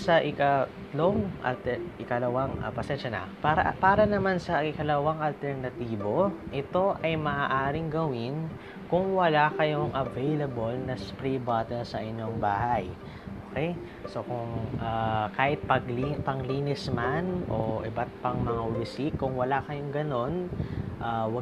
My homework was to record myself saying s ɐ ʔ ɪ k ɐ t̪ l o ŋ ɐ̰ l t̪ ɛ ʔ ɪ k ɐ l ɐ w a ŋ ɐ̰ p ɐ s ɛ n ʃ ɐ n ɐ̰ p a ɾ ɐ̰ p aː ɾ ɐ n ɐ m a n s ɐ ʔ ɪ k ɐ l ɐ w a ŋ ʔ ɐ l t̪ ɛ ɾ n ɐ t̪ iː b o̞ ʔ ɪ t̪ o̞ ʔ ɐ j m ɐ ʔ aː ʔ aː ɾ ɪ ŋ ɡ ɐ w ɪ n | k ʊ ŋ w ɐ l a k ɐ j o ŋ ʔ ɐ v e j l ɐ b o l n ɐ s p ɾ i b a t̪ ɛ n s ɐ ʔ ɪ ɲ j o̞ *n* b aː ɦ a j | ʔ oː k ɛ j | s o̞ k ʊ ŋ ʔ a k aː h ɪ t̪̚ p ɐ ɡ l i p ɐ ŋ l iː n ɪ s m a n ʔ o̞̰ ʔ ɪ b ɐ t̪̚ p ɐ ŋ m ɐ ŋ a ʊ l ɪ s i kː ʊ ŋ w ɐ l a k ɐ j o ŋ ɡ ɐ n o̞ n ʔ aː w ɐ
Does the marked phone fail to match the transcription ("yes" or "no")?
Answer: yes